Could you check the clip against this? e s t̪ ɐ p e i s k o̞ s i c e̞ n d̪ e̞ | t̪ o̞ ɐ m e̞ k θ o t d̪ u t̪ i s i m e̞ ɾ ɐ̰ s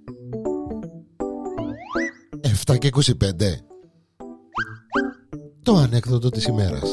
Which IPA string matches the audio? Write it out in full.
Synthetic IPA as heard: e f t̪ ɐ c e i k o̞ s i p e̞ n d̪ e̞ | t̪ o̞ ɐ n e̞ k θ o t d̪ o t̪ i s i m e̞ ɾ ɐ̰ s